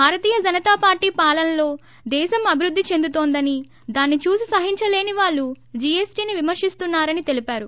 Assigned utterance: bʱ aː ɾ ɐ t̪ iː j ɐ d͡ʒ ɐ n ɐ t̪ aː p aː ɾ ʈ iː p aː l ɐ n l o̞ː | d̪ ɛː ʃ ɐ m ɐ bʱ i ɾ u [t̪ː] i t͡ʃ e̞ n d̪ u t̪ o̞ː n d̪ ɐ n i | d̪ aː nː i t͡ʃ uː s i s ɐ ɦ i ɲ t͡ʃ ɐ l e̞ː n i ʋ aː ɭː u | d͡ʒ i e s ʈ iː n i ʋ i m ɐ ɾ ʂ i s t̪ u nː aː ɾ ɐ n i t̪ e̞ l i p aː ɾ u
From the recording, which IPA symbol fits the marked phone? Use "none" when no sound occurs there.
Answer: d̪ː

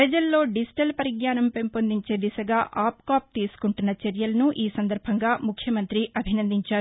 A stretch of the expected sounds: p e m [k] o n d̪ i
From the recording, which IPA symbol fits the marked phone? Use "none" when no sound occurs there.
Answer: p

